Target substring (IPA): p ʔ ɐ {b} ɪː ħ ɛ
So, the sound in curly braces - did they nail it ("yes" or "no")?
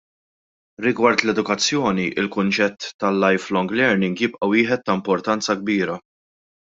no